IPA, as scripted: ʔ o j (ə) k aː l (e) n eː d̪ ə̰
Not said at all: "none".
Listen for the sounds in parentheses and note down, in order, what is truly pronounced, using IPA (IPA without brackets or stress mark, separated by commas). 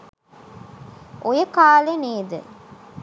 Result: ə, e